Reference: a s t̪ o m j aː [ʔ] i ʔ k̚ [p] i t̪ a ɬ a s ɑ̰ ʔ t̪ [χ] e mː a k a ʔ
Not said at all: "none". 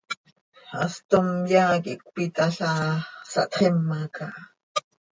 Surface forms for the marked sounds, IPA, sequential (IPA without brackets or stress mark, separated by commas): k, p, χ